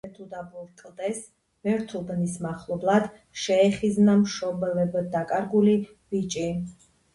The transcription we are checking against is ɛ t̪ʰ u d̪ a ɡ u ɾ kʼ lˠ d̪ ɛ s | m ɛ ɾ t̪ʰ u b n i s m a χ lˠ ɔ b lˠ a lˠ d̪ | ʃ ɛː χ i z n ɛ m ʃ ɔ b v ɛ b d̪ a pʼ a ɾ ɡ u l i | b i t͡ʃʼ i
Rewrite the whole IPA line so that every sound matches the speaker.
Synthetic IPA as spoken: ɛ t̪ʰ u d̪ a b u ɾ kʼ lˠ d̪ ɛ s | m ɛ ɾ t̪ʰ u b n i s m a χ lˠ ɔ b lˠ a d̪ | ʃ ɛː χ i z n a m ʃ ɔ b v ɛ b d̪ a kʼ a ɾ ɡ u l i | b i t͡ʃʼ i